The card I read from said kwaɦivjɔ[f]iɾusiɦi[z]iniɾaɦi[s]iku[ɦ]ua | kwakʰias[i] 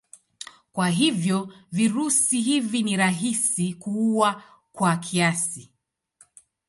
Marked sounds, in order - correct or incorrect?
incorrect: v, incorrect: v, correct, incorrect: none, correct

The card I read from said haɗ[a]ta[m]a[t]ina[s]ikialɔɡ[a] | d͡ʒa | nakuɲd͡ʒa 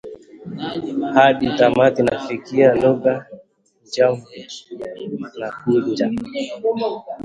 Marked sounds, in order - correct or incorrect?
incorrect: i, correct, correct, incorrect: f, correct

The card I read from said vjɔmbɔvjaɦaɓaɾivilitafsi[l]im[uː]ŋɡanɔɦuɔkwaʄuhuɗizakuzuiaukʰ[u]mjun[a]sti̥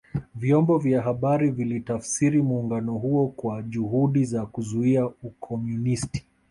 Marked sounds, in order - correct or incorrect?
incorrect: ɾ, correct, incorrect: ɔ, incorrect: i

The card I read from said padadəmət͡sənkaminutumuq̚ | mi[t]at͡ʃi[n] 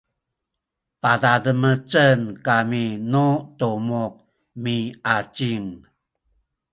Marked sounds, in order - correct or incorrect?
incorrect: none, incorrect: ŋ

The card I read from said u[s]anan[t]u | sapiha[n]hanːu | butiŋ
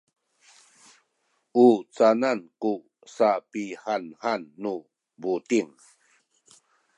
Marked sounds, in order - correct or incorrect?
incorrect: t͡s, incorrect: k, correct

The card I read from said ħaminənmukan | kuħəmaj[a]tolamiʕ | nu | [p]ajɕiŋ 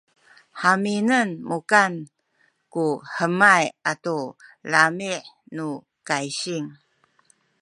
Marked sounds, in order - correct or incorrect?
correct, incorrect: k

